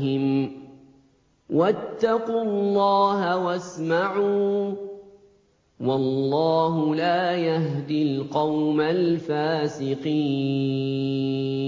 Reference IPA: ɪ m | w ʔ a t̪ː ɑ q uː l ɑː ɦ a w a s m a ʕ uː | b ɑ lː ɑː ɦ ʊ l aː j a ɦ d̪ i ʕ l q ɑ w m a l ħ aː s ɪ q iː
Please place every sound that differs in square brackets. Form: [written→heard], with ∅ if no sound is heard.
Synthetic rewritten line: ɪ m | w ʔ a t̪ː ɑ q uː [l→lː] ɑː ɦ a w a s m a ʕ uː | [b→w] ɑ lː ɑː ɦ ʊ l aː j a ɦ d̪ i [ʕ→∅] l q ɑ w m a l [ħ→f] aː s ɪ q iː